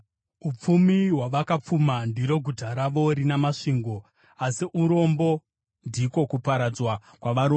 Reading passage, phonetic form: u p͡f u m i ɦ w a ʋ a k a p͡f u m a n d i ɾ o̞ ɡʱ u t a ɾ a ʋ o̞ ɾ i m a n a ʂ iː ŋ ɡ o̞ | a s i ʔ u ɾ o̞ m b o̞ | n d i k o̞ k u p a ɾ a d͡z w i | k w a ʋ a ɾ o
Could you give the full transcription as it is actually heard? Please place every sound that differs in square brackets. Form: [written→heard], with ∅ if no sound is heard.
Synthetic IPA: u p͡f u m i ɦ w a ʋ a k a p͡f u m a n d i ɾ o̞ ɡʱ u t a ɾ a ʋ o̞ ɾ i [m→n] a [n→m] a ʂ iː ŋ ɡ o̞ | a s i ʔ u ɾ o̞ m b o̞ | n d i k o̞ k u p a ɾ a d͡z w [i→a] | k w a ʋ a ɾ o

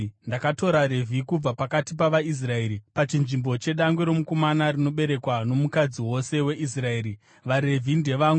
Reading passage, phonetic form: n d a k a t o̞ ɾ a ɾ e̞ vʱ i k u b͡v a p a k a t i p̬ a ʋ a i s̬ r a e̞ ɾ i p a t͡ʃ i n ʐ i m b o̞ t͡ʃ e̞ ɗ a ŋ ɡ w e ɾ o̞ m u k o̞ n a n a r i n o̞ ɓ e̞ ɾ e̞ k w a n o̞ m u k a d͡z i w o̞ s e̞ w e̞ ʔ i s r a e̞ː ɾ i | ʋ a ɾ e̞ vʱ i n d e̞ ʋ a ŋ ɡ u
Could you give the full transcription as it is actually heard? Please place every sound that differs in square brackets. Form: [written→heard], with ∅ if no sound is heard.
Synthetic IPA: n d a k a t o̞ ɾ a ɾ e̞ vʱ i k u b͡v a p a k a t i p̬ a ʋ a i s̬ r a e̞ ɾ i p a t͡ʃ i n ʐ i m b o̞ t͡ʃ e̞ ɗ a ŋ ɡ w e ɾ o̞ m u k o̞ [n→m] a n a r i n o̞ ɓ e̞ ɾ e̞ k w a n o̞ m u k a d͡z i w o̞ s e̞ w e̞ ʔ i s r a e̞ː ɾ i | ʋ a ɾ e̞ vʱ i n d e̞ ʋ a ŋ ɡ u

